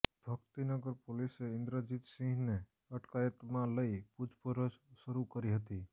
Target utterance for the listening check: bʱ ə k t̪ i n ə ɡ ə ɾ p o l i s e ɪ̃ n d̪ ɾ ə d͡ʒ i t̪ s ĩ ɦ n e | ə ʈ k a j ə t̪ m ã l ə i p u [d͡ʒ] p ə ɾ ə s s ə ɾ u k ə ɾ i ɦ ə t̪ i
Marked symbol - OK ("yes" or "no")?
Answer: yes